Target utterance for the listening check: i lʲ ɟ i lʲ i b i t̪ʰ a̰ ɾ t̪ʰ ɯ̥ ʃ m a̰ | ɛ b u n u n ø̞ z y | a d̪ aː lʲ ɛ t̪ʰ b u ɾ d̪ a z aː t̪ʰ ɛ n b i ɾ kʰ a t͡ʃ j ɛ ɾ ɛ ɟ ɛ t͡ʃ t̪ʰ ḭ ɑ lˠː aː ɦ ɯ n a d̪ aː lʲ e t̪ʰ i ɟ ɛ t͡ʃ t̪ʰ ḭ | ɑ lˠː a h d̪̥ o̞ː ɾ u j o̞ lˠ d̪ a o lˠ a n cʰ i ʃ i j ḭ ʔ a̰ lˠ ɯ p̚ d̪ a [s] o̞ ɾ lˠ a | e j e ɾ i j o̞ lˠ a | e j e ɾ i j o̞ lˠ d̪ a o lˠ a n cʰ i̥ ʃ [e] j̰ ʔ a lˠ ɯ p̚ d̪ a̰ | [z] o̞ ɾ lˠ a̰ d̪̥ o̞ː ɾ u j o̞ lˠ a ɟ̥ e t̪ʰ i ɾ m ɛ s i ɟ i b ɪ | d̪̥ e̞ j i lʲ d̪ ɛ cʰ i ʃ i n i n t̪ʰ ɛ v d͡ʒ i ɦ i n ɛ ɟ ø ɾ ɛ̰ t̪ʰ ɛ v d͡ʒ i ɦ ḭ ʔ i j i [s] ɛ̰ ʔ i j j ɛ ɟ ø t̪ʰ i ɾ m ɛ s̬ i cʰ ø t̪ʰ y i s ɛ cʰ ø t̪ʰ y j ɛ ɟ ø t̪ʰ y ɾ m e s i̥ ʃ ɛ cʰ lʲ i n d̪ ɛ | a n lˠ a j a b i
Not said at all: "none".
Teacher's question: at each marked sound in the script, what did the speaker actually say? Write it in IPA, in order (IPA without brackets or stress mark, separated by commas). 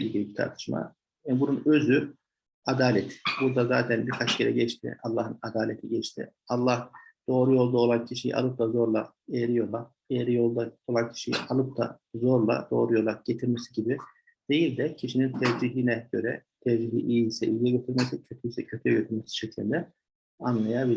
z, i, z, s